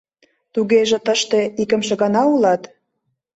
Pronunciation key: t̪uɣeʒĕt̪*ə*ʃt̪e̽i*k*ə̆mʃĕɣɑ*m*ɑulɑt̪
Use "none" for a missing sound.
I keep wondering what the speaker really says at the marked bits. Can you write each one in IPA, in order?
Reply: ə, k, n

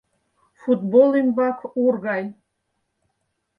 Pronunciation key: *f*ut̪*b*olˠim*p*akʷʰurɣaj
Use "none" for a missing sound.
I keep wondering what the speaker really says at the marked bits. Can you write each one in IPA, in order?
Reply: f, b, b

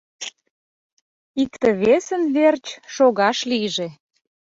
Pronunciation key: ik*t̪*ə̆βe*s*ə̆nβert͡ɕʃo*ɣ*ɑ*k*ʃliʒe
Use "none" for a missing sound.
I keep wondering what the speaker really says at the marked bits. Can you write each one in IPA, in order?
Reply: t̪, s, ɣ, none

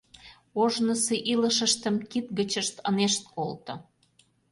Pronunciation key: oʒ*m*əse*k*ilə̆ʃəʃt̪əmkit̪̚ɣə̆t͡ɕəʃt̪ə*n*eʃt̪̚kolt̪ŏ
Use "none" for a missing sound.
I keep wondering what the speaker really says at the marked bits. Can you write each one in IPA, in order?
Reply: n, ʔ, n

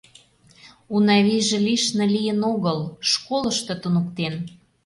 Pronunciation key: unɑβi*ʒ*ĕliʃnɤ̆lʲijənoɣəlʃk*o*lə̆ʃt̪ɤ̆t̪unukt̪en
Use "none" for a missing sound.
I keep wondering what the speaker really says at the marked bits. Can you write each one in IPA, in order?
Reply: ʒ, o

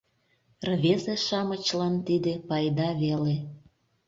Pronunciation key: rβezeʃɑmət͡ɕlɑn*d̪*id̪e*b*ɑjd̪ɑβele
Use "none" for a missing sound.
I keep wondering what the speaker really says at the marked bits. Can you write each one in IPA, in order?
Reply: t̪, p

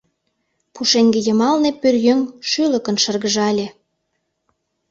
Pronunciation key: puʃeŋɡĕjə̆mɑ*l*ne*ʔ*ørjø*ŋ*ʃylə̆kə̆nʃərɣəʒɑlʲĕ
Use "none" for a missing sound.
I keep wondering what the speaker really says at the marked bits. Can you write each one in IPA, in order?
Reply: l, p, ŋ

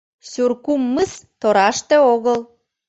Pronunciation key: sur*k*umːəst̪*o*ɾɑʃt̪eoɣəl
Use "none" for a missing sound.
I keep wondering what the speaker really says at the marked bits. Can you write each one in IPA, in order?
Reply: k, o

